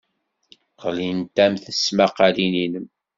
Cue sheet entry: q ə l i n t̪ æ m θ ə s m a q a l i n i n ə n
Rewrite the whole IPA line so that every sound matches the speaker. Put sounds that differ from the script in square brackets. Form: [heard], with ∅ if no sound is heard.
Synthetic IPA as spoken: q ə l i n t̪ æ m θ ə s m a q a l i n i n ə [m]